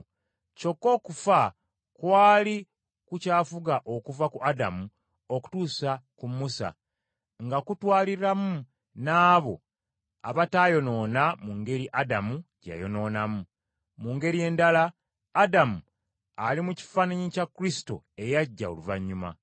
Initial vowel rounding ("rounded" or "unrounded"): rounded